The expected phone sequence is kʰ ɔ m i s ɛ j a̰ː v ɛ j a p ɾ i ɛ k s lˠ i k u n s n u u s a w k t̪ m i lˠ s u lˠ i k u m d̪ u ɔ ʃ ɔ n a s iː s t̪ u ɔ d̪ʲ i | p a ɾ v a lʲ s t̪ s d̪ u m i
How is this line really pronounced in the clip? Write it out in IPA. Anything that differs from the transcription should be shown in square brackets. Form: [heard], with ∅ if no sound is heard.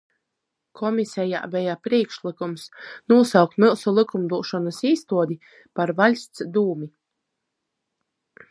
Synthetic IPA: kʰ ɔ m i s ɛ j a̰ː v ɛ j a p ɾ i ɛ k [ʃ] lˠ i k u [m] s n u [ɔ] s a w k t̪ m i lˠ s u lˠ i k u m d̪ u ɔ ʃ ɔ n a s iː s t̪ u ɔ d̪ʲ i | p a ɾ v a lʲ s t̪ s d̪ [uː] m i